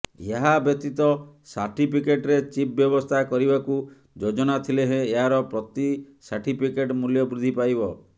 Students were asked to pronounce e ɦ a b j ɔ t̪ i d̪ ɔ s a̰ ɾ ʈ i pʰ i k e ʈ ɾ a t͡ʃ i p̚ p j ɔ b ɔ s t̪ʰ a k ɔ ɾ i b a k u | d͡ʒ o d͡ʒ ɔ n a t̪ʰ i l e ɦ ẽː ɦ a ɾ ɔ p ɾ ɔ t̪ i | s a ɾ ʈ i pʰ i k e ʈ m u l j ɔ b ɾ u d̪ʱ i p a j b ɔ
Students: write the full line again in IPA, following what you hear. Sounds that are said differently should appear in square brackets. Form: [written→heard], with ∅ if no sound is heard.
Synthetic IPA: e ɦ a b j ɔ t̪ i [d̪→t̪] ɔ s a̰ ɾ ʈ i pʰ i k e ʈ ɾ [a→e] t͡ʃ i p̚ [p→b] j ɔ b ɔ s t̪ʰ a k ɔ ɾ i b a k u | d͡ʒ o d͡ʒ ɔ n a t̪ʰ i l e ɦ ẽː ɦ a ɾ ɔ p ɾ ɔ t̪ i | s a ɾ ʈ i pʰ i k e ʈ m u l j ɔ b ɾ u d̪ʱ i p a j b ɔ